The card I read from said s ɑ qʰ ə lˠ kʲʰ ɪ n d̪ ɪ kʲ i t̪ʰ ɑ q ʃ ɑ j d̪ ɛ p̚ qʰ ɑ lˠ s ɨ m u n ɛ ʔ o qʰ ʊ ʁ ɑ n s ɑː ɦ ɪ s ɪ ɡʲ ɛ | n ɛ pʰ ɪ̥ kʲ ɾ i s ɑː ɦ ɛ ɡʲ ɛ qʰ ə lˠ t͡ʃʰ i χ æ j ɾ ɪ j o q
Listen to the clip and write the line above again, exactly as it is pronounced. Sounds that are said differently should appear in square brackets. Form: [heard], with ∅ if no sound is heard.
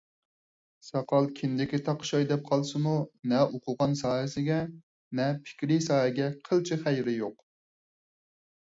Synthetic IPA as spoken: s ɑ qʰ [ɑ] lˠ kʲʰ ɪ n d̪ ɪ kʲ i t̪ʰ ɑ q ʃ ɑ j d̪ ɛ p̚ qʰ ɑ lˠ s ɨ m u n ɛ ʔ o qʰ ʊ ʁ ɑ n s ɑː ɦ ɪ s ɪ ɡʲ ɛ | n ɛ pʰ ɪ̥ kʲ ɾ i s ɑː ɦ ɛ ɡʲ ɛ qʰ ə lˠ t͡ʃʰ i χ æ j ɾ ɪ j o q